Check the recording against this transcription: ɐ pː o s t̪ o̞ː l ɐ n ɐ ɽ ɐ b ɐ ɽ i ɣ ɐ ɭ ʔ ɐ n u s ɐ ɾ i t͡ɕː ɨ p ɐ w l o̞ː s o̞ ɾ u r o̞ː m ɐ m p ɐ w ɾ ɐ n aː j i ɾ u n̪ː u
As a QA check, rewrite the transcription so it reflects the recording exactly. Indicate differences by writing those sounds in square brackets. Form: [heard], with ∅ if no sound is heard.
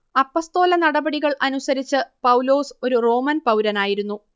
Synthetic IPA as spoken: ɐ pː o s t̪ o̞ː l ɐ n ɐ ɽ ɐ b ɐ ɽ i ɣ ɐ ɭ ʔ ɐ n u s ɐ ɾ i t͡ɕː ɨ p ɐ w l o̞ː s o̞ ɾ u r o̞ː m ɐ [n] p ɐ w ɾ ɐ n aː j i ɾ u n̪ː u